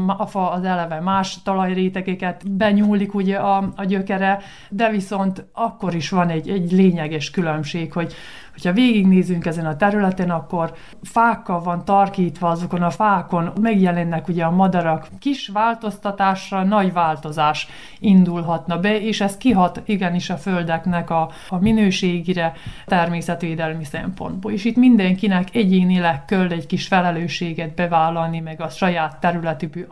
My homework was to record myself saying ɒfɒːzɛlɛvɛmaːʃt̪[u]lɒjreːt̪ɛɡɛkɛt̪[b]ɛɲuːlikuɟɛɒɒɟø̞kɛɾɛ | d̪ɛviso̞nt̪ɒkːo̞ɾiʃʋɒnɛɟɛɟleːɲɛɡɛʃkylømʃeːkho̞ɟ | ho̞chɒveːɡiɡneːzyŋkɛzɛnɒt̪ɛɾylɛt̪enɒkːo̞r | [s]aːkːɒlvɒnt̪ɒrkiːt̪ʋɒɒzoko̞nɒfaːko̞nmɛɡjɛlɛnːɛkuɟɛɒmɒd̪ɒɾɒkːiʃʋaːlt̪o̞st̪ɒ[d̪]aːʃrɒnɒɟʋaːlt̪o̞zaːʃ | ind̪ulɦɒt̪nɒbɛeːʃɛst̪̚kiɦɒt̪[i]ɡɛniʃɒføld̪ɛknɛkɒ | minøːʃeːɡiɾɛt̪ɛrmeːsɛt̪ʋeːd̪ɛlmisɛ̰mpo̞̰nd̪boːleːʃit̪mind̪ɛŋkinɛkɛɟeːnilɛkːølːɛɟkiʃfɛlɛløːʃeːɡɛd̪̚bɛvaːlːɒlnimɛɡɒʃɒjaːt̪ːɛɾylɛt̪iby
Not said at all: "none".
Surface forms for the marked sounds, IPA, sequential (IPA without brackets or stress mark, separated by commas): ɒ, b, f, t̪, i